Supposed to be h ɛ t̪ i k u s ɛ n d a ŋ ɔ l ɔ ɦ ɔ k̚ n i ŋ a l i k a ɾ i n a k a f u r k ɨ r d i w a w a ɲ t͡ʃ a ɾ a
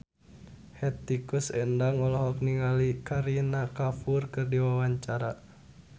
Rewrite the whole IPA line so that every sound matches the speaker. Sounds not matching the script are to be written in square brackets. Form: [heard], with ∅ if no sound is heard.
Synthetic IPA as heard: h ɛ t̪ i k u s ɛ n d a ŋ ɔ l ɔ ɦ ɔ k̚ n i ŋ a l i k a ɾ i n a k a f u r k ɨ r d i w a w a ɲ t͡ʃ a ɾ a